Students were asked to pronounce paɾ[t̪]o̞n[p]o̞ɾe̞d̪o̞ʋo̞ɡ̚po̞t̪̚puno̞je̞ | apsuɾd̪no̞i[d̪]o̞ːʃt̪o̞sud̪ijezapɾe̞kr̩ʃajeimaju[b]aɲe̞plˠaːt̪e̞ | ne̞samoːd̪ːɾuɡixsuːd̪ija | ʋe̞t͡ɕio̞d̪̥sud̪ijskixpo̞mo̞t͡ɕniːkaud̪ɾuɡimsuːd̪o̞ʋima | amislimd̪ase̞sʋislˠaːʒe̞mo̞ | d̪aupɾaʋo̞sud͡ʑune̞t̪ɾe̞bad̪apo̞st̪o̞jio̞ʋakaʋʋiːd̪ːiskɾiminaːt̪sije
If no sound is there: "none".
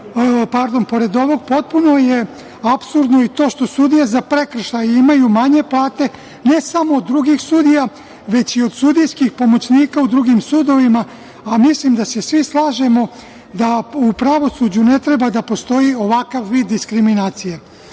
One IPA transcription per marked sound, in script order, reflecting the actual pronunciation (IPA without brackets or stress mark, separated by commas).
d̪, p, t̪, m